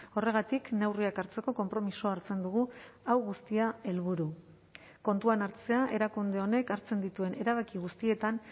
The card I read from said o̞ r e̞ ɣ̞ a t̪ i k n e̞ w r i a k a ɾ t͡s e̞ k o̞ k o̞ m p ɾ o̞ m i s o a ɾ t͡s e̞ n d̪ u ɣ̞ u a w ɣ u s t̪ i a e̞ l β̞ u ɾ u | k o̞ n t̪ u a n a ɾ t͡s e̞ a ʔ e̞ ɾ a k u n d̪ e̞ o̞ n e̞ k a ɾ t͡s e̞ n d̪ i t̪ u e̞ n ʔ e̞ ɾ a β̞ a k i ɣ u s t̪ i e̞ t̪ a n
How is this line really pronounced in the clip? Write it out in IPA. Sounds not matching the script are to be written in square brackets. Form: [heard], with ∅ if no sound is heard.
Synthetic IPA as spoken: o̞ r e̞ ɣ̞ a t̪ i k n e̞ w r i a k a ɾ t͡s e̞ k o̞ k o̞ m p ɾ o̞ m i s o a ɾ t͡s e̞ n d̪ u ɣ̞ u a w ɣ u s t̪ i a e̞ l β̞ u ɾ u | k o̞ n t̪ u a n a ɾ t͡s e̞ a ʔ e̞ ɾ a k u n d̪ e̞ o̞ n e̞ k a ɾ t͡s e̞ n d̪ i t̪ u e̞ n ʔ e̞ ɾ a β̞ a k i ɣ u s t̪ i e̞ t̪ a n

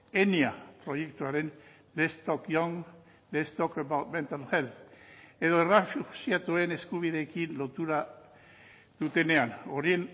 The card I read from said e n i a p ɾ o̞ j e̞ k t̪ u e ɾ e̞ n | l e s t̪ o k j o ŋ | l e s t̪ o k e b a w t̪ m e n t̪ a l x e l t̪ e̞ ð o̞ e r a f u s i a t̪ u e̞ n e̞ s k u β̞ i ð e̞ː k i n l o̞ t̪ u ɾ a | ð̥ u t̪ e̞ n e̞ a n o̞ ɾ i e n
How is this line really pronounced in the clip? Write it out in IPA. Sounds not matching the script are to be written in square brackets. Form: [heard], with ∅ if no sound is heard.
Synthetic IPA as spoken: e n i a p ɾ o̞ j e̞ k t̪ u [a] ɾ e̞ n | l e s t̪ o k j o ŋ | l e s t̪ o k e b a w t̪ m e n t̪ a l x e l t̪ e̞ ð o̞ e r a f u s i a t̪ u e̞ n e̞ s k u β̞ i ð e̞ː k i n l o̞ t̪ u ɾ a | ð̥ u t̪ e̞ n e̞ a n o̞ ɾ i e n

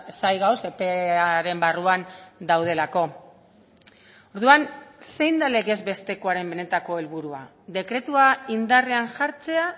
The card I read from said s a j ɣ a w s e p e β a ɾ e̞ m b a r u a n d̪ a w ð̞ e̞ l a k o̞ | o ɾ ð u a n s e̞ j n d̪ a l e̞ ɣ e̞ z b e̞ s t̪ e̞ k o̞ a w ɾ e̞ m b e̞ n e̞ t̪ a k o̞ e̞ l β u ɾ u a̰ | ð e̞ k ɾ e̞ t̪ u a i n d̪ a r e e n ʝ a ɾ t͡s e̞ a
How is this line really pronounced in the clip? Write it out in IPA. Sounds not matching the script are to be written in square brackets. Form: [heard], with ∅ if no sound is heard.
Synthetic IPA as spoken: s a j ɣ a w s e p e [∅] a ɾ e̞ m b a r u a n d̪ a w ð̞ e̞ l a k o̞ | o ɾ ð u a n s e̞ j n d̪ a l e̞ ɣ e̞ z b e̞ s t̪ e̞ k o̞ a [∅] ɾ e̞ m b e̞ n e̞ t̪ a k o̞ e̞ l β u ɾ u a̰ | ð e̞ k ɾ e̞ t̪ u a i n d̪ a r e [a] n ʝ a ɾ t͡s e̞ a

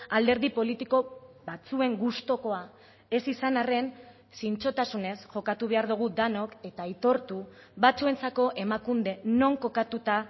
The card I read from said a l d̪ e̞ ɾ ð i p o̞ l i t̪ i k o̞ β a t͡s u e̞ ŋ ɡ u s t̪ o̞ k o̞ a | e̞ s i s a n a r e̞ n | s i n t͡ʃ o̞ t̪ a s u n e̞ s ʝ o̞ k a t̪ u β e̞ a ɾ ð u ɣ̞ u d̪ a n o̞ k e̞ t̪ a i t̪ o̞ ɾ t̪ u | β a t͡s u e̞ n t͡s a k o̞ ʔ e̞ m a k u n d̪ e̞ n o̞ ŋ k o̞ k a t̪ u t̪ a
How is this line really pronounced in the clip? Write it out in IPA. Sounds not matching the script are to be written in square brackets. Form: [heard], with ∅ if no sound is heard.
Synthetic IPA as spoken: a l d̪ e̞ ɾ ð i p o̞ l i t̪ i k o̞ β a t͡s u e̞ ŋ ɡ u s t̪ o̞ k o̞ a | e̞ s i s a n a r e̞ n | s i n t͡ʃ o̞ t̪ a s u n e̞ s ʝ o̞ k a t̪ u β e̞ a ɾ ð u ɣ̞ u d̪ a n o̞ k e̞ t̪ a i t̪ o̞ ɾ t̪ u | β a t͡s u e̞ n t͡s a k o̞ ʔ e̞ m a k u n d̪ e̞ n o̞ ŋ k o̞ k a t̪ u t̪ a

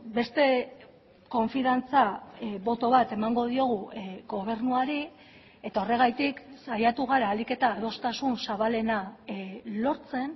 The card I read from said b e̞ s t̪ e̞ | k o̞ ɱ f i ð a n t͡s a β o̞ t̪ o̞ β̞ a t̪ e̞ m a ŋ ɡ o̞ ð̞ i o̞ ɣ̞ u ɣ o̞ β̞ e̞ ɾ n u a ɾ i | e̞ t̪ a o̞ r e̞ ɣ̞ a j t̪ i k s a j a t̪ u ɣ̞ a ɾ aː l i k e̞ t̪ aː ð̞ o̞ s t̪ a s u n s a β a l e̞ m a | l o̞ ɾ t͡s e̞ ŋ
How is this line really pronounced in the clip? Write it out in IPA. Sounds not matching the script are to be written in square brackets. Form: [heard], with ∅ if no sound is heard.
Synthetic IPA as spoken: b e̞ s t̪ e̞ | k o̞ ɱ f i ð a n t͡s a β o̞ t̪ o̞ β̞ a t̪ e̞ m a ŋ ɡ o̞ ð̞ i o̞ ɣ̞ u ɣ o̞ β̞ e̞ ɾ n u a ɾ i | e̞ t̪ a o̞ r e̞ ɣ̞ a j t̪ i k s a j a t̪ u ɣ̞ a ɾ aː l i k e̞ t̪ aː ð̞ o̞ s t̪ a s u n s a β a l e̞ [n] a | l o̞ ɾ t͡s e̞ [n]

